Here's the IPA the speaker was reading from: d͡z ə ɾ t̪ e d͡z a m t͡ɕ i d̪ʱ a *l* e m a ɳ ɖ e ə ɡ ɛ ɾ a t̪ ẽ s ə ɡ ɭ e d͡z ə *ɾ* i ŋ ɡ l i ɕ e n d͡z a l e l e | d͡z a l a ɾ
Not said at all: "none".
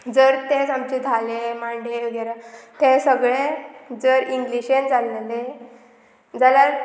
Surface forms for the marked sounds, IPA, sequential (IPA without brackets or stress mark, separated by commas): l, ɾ